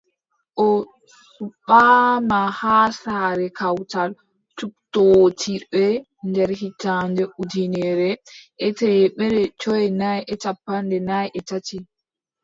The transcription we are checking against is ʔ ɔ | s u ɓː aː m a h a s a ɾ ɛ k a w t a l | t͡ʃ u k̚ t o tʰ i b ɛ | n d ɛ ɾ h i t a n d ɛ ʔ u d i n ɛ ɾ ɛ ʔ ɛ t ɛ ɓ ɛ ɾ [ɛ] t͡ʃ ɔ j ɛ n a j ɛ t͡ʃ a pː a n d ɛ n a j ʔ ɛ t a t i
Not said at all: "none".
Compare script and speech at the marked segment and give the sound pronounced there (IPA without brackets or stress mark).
ɛ